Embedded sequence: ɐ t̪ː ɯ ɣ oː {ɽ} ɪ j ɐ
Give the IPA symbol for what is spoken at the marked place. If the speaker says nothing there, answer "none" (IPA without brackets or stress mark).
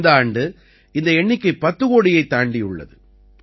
ɽ